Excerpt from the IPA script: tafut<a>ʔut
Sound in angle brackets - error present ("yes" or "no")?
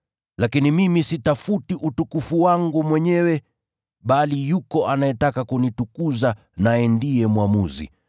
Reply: yes